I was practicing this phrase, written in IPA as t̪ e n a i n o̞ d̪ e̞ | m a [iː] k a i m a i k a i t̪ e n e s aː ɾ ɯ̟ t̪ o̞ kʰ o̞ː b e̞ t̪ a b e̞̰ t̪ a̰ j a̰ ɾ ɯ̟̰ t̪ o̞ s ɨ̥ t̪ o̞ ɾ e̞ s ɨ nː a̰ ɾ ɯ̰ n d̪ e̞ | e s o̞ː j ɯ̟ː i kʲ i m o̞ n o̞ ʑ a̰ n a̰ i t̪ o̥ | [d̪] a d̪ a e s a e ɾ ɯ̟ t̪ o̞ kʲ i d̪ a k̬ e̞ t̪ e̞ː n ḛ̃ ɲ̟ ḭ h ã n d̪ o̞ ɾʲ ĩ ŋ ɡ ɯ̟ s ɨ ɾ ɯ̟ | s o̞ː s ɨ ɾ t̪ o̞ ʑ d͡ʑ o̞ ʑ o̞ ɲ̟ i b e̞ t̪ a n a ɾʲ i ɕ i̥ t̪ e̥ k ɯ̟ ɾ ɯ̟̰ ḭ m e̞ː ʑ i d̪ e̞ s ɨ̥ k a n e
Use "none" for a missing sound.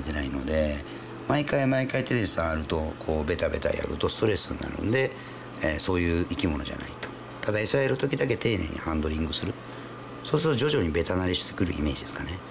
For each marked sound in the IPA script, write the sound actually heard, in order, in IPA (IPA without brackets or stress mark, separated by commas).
i, t̪